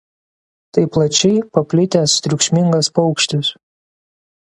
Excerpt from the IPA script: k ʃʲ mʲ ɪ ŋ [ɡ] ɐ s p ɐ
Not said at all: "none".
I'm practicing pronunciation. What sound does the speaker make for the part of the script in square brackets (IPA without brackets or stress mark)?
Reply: ɡ